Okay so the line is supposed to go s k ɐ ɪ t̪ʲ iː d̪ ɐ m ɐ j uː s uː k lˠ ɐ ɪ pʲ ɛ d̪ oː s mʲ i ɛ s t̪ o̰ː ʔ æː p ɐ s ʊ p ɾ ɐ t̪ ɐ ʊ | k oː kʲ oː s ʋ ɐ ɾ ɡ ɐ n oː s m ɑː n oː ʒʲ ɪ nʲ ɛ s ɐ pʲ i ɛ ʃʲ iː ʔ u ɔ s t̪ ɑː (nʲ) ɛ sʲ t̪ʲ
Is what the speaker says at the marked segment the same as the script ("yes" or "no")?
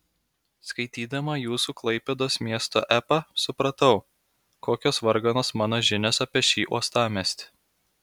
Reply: no